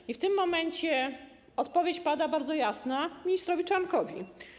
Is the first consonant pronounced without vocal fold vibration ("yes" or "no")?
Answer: yes